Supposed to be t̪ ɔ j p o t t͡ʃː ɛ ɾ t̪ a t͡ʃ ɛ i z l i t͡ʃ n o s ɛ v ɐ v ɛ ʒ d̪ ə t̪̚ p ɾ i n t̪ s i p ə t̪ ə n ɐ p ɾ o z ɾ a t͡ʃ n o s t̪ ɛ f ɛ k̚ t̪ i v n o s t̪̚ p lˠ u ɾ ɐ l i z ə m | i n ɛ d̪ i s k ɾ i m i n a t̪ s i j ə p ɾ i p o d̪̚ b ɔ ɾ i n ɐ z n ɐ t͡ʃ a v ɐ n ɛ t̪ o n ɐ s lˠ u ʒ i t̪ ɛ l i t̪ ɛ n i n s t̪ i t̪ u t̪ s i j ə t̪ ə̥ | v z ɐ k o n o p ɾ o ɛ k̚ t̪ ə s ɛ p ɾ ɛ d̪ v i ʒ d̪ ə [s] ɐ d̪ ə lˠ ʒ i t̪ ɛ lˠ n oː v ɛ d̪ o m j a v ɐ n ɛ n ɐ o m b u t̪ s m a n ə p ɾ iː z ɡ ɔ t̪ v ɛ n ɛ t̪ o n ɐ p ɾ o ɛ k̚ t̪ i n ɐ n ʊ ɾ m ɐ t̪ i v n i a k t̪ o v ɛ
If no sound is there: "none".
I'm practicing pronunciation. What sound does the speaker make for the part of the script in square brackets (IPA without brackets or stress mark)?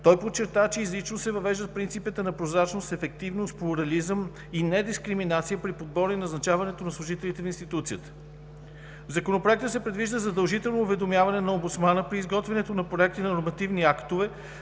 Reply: z